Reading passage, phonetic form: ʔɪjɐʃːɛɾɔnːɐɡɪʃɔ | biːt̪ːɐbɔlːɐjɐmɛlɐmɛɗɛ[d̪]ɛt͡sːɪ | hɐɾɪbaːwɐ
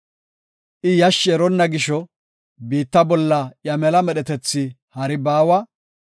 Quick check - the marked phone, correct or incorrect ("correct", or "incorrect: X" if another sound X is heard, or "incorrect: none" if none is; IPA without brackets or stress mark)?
incorrect: t̪